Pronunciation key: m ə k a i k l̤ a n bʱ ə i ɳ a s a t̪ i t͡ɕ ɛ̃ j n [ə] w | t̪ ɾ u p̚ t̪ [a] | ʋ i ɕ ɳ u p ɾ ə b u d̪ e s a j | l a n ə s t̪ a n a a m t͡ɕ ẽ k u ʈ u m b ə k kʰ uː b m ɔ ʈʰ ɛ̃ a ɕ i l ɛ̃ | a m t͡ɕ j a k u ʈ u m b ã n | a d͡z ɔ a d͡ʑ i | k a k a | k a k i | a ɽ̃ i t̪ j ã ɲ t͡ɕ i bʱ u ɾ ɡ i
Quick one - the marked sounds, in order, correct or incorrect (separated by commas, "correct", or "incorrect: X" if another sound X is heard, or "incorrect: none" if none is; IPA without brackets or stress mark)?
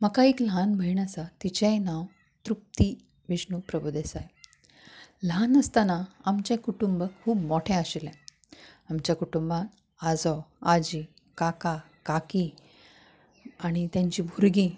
incorrect: a, incorrect: i